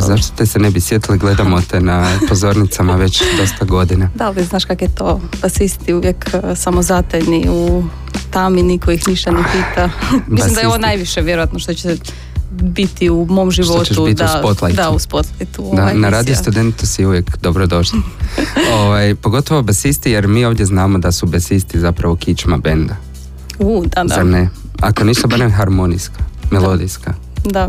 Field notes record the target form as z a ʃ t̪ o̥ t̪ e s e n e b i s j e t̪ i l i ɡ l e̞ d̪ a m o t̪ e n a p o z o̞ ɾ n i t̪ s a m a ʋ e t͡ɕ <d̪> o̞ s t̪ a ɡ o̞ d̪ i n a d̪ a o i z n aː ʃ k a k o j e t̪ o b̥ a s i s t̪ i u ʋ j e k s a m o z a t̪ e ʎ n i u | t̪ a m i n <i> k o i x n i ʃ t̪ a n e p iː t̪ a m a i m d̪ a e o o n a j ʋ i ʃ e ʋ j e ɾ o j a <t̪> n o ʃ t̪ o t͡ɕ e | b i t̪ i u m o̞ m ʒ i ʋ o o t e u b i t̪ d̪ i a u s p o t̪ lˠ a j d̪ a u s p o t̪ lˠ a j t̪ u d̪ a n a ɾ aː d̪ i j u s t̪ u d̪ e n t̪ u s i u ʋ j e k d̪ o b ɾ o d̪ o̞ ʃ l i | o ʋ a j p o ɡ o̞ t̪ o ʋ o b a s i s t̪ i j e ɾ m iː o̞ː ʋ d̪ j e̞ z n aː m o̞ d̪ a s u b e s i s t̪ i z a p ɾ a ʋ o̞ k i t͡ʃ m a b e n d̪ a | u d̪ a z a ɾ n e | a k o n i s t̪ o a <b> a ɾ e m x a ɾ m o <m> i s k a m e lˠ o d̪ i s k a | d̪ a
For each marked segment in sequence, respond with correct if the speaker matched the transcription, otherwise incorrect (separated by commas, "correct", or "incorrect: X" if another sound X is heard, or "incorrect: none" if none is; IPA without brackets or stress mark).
correct, correct, correct, correct, incorrect: n